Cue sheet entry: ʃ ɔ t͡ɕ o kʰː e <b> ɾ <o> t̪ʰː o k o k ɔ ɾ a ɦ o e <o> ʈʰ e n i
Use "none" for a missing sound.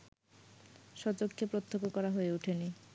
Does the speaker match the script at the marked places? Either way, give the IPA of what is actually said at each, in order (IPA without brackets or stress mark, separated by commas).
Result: p, o, u